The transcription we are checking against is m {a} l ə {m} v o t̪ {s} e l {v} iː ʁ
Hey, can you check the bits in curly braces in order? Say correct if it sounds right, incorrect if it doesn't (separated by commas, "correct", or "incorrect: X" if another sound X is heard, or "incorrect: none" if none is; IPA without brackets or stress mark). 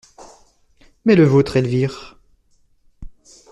incorrect: ɛ, incorrect: none, incorrect: χ, correct